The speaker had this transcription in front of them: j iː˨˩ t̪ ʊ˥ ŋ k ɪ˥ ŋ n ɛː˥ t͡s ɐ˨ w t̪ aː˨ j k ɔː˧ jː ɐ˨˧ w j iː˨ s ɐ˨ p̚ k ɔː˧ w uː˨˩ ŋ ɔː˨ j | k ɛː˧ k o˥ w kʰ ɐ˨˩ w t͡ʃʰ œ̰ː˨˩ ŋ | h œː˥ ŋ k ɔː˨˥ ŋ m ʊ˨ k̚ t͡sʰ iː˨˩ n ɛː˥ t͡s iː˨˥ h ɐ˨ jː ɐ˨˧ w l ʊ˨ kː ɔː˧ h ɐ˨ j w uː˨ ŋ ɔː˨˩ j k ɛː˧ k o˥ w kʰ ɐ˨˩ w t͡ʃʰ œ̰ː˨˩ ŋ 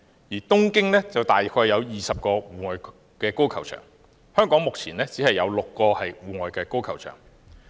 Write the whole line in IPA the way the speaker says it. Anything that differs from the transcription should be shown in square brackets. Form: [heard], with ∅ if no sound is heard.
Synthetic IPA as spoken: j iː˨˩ t̪ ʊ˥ ŋ k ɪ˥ ŋ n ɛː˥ t͡s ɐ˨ w t̪ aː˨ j [kʰ] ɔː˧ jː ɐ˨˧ w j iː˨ s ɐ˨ p̚ k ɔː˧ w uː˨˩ ŋ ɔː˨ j | k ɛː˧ k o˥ w kʰ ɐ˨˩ w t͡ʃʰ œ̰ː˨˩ ŋ | h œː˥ ŋ k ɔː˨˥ ŋ m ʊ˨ k̚ t͡sʰ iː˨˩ n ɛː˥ t͡s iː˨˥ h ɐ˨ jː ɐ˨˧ w l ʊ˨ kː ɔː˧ h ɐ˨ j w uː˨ ŋ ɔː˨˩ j k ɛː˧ k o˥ w kʰ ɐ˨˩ w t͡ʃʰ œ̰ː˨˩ ŋ